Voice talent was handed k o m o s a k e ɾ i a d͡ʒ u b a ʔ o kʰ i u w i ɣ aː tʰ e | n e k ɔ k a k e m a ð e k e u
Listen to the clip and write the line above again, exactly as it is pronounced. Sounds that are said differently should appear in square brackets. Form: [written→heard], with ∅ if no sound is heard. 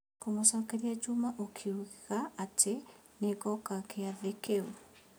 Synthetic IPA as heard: k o m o s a k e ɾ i a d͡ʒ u [b→m] a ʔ o kʰ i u [w→ɣ] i ɣ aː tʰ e | n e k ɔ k a k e [m→∅] a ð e k e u